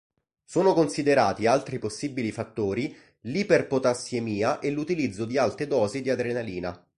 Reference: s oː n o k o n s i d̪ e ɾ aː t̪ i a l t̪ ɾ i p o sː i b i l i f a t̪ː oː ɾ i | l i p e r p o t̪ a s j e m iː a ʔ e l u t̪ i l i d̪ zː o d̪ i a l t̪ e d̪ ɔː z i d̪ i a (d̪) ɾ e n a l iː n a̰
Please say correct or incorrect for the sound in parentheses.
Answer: correct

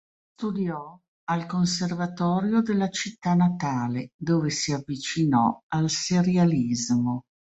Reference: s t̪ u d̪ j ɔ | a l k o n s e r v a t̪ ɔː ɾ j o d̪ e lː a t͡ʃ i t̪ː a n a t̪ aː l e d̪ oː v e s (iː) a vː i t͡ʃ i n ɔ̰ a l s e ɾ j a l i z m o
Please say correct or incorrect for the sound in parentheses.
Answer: incorrect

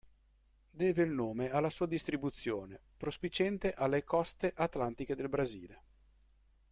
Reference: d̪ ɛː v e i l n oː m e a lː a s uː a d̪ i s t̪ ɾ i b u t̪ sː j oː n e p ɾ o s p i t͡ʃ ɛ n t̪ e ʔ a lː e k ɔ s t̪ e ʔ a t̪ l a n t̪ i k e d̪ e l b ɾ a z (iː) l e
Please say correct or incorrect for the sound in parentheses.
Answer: correct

